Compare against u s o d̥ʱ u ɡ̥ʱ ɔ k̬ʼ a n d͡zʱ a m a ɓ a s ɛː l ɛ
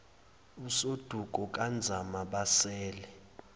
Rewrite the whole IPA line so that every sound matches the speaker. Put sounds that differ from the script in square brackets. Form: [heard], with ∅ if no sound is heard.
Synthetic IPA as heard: u s o d̥ʱ u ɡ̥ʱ ɔ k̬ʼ a n d͡zʱ a m a ɓ a s ɛː l ɛ

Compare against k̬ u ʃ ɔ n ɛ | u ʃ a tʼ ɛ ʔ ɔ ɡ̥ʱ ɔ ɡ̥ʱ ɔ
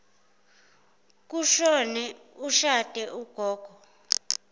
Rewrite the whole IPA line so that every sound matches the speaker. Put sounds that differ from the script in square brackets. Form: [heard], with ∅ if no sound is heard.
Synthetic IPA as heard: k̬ u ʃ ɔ n ɛ | u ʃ a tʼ ɛ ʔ [u] ɡ̥ʱ [ɔː] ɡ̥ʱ ɔ

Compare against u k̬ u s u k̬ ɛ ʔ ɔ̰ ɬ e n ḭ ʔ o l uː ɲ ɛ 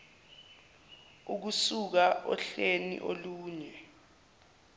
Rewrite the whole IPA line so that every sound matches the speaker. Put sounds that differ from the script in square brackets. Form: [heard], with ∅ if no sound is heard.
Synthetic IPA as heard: u k̬ u s u k̬ [a] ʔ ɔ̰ ɬ e n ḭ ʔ o l uː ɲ ɛ

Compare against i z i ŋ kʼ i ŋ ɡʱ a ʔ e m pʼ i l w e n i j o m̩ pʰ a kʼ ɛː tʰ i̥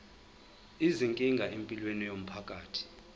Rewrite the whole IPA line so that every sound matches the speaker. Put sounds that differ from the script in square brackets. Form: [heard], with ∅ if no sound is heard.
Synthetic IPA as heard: i z i ŋ kʼ i ŋ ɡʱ a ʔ e m pʼ i l w e n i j o m̩ pʰ a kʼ [aː] tʰ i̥

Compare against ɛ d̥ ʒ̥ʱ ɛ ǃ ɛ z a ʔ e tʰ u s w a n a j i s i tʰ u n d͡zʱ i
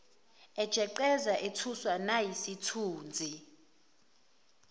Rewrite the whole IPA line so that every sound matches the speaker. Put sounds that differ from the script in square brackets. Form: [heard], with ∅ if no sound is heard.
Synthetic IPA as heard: ɛ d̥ ʒ̥ʱ ɛ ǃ ɛ z a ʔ e tʰ u s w a n a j i s i tʰ [uː] n d͡zʱ i

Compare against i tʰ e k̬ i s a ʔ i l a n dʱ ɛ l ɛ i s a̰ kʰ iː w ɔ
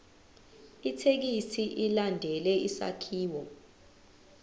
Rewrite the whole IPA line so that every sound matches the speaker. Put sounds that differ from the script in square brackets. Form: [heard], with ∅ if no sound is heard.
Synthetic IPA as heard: i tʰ e k̬ i s [i] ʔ i l a n dʱ ɛ l ɛ i s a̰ kʰ iː w ɔ

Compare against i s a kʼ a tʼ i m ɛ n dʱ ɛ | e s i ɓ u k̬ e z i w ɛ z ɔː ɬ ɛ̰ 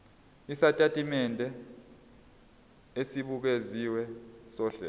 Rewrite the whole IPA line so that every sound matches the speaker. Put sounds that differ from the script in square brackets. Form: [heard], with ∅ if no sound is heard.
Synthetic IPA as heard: i s a [tʼ] a tʼ i m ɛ n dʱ ɛ | e s i ɓ u k̬ e z i w ɛ [s] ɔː ɬ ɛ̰

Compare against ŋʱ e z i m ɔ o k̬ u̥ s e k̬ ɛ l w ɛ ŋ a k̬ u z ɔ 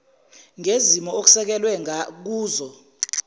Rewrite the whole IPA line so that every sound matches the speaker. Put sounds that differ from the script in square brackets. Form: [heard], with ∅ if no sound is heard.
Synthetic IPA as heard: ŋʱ e z i m ɔ o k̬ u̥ s [ɛ] k̬ ɛ l w ɛ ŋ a k̬ [uː] z ɔ

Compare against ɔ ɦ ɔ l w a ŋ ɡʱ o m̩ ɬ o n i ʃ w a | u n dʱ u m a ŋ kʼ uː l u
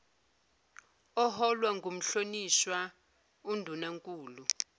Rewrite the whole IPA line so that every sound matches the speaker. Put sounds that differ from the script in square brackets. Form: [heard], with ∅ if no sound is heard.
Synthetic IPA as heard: ɔ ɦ ɔ l w a ŋ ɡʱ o m̩ ɬ o n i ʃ w a | u n dʱ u [n] a ŋ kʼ uː l u

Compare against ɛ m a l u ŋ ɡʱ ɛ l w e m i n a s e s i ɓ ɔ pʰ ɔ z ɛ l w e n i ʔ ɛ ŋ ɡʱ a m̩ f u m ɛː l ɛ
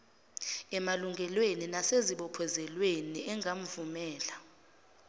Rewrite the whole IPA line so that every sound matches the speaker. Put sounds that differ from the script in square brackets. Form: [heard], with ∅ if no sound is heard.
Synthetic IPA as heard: ɛ m a l u ŋ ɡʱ ɛ l w e [n] i n a s e [z] i ɓ ɔ pʰ ɔ z ɛ l w e n i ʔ ɛ ŋ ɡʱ a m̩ [v] u m ɛː l [a]

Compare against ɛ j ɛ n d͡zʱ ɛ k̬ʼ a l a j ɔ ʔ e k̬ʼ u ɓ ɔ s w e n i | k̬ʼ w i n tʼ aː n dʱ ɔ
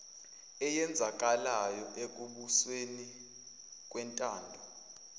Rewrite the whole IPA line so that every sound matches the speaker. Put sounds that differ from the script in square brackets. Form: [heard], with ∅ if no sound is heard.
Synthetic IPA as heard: ɛ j ɛ n d͡zʱ [a] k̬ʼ a l a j ɔ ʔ e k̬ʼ u ɓ [u] s w e n i | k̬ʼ w [ɛ] n tʼ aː n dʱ ɔ

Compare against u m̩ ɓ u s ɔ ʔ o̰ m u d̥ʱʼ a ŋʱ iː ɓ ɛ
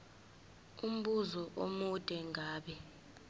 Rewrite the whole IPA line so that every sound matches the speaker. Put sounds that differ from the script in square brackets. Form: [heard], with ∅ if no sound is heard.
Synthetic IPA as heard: u m̩ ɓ u [z] ɔ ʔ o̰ m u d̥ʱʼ [ɛ] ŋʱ [aː] ɓ ɛ

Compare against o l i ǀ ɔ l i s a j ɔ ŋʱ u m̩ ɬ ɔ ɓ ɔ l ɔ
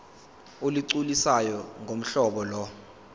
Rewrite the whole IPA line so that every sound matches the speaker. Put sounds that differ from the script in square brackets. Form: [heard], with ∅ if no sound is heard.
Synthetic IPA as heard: o l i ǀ [u] l i s a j ɔ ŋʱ [o] m̩ ɬ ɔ ɓ ɔ l ɔ

